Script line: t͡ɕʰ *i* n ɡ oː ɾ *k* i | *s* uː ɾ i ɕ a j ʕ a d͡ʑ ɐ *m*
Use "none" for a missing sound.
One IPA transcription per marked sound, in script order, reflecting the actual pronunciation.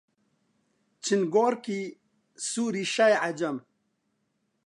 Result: i, k, s, m

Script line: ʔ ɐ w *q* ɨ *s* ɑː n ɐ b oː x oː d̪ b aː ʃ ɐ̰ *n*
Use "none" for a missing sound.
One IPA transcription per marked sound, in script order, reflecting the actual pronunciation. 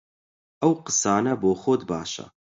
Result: q, s, none

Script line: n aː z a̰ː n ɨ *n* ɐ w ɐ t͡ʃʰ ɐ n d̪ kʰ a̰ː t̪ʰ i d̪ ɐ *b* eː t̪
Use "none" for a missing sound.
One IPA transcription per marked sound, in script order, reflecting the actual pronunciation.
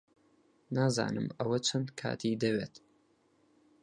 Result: m, w

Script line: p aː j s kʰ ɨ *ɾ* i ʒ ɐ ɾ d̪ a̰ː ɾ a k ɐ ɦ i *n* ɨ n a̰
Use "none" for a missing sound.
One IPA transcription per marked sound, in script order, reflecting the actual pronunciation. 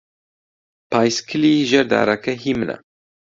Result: l, m

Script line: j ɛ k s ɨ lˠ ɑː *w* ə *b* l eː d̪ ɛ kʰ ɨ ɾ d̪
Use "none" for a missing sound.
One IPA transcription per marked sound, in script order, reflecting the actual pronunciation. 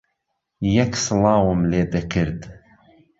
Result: w, m

